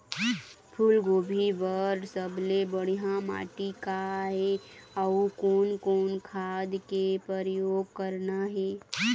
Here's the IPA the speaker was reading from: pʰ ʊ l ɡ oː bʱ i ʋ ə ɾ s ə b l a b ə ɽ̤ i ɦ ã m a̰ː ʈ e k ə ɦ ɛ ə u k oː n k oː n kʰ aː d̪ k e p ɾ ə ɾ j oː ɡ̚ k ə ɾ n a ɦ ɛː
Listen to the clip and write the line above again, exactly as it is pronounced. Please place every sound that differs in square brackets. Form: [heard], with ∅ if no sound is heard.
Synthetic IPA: pʰ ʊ l ɡ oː bʱ i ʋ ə ɾ s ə b l [e] b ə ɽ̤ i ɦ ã m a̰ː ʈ [i] k [a] ɦ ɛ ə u k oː n k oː n kʰ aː d̪ k e p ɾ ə ɾ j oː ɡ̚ k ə ɾ n a ɦ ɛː